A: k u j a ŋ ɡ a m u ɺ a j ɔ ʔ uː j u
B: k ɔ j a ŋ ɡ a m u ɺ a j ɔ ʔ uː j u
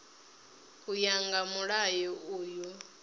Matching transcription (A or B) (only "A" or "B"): A